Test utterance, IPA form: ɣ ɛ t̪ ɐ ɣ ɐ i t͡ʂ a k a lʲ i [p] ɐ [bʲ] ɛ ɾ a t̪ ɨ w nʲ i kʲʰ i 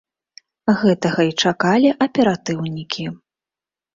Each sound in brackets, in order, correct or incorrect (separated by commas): incorrect, incorrect